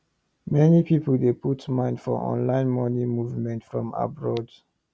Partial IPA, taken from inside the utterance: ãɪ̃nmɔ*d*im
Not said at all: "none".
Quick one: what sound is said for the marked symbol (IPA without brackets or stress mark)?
n